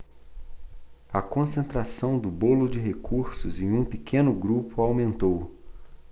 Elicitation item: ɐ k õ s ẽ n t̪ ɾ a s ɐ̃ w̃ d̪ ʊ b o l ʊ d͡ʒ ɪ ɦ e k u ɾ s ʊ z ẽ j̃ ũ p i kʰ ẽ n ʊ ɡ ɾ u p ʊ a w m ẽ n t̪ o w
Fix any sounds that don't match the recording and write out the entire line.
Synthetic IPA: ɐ k õ s ẽ n t̪ ɾ a s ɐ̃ w̃ d̪ ʊ b o l ʊ d͡ʒ ɪ ɦ e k u ɾ s ʊ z ẽ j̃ ũ p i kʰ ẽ n ʊ ɡ ɾ u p ʊ a w m ẽ n t̪ o w